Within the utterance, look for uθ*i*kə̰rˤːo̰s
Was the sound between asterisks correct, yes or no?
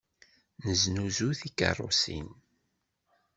yes